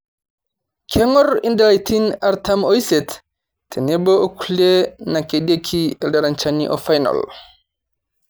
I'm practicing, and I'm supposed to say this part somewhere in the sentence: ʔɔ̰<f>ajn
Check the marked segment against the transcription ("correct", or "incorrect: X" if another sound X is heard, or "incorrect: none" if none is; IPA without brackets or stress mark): correct